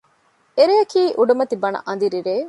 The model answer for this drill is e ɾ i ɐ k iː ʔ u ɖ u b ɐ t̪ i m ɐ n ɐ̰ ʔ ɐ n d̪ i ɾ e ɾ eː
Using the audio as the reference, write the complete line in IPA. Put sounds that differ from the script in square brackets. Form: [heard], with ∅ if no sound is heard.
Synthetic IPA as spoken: e ɾ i ɐ k iː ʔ u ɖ u [m] ɐ t̪ i [b] ɐ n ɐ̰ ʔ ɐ n d̪ i ɾ [i] ɾ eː